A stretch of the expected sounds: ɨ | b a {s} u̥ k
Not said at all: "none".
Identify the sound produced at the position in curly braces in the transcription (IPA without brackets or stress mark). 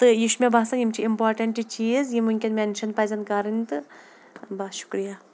ʃ